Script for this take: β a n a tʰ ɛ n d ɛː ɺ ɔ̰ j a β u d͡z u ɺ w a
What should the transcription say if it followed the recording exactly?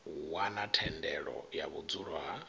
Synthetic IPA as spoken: w a n a tʰ ɛ n d ɛ ɺ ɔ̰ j a β u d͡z u ɺ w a